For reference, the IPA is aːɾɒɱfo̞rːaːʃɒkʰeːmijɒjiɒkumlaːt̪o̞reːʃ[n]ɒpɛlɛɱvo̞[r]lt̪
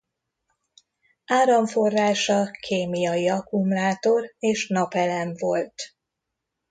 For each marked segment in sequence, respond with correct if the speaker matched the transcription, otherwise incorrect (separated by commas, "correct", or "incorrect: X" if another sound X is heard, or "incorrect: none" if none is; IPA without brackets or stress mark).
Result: correct, incorrect: none